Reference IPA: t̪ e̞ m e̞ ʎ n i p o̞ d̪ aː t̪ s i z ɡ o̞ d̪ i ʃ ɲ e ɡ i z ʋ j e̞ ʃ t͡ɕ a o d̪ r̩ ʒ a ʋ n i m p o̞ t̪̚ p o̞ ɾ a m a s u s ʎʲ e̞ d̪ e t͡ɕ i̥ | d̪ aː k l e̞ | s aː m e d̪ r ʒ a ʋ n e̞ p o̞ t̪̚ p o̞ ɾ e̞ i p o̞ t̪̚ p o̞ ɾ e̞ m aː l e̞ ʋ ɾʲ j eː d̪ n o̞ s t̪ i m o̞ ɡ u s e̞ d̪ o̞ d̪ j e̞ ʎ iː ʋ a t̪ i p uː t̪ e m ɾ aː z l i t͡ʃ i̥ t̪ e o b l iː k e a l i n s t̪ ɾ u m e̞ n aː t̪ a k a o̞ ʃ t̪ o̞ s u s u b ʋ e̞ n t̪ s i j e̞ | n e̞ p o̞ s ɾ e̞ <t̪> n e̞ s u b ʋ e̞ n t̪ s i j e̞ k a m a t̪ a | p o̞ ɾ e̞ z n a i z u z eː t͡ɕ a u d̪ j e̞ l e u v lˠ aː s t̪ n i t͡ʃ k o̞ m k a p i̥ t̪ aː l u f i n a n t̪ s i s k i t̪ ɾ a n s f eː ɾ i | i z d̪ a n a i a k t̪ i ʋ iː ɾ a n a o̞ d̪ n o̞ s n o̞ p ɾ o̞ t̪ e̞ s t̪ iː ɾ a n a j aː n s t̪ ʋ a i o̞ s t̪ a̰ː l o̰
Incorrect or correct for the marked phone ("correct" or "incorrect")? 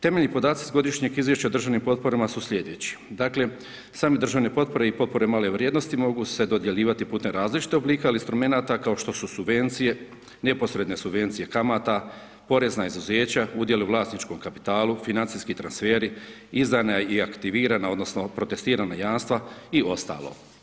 incorrect